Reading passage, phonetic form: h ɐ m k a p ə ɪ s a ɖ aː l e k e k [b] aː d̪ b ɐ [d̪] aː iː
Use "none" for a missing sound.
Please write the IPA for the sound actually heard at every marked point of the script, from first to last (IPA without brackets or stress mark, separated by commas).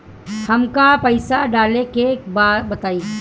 b, t̪